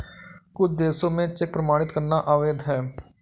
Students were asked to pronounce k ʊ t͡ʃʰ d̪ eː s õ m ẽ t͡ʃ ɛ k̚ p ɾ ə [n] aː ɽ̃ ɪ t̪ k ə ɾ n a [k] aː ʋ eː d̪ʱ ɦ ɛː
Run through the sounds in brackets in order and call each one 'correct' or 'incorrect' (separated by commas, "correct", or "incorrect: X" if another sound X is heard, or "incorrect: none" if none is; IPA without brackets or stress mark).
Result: incorrect: m, incorrect: ʔ